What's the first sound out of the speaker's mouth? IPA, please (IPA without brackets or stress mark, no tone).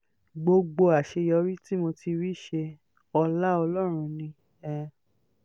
ɡ͡b